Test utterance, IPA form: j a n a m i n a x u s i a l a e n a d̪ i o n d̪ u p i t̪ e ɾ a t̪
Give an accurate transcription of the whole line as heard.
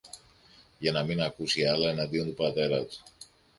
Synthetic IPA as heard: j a n a m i n a k u s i a l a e n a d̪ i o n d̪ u p a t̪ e ɾ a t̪